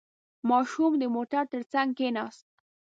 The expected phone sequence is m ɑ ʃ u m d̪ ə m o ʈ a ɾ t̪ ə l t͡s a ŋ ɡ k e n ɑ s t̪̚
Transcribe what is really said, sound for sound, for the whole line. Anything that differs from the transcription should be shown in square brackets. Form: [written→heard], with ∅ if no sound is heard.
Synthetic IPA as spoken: m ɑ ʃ u m d̪ ə m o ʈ a ɾ t̪ ə [l→ɾ] t͡s a ŋ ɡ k e n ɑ s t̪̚